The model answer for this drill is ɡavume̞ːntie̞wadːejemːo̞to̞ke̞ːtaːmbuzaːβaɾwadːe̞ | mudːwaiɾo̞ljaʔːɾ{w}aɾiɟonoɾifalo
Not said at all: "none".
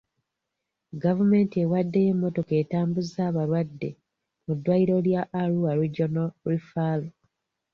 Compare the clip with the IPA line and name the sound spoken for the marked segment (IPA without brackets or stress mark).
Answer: u